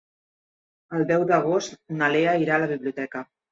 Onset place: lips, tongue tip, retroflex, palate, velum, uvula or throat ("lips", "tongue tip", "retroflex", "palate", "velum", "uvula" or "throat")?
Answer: tongue tip